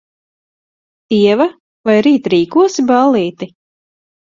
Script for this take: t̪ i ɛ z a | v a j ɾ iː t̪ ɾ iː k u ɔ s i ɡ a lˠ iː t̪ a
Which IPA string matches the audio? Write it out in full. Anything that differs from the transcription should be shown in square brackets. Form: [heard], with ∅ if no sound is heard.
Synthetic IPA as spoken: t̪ i ɛ [v] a | v a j ɾ iː t̪ ɾ iː k u ɔ s i [b] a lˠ iː t̪ [i]